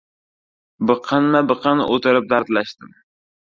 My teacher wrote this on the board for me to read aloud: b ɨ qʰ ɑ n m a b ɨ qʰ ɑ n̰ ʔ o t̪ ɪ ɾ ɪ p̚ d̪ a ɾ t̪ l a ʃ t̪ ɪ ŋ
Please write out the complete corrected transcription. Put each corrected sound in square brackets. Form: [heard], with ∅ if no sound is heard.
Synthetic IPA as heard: b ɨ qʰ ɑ n m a b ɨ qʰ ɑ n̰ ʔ o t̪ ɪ ɾ ɪ p̚ d̪ a ɾ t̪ l a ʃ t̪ ɪ [m]